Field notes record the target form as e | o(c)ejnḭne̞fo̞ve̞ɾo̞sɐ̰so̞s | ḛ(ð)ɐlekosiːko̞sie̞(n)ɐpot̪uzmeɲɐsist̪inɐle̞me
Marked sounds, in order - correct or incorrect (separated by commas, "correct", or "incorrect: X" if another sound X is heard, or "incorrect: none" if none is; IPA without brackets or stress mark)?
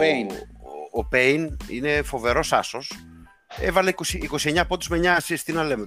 incorrect: p, incorrect: v, incorrect: ɲ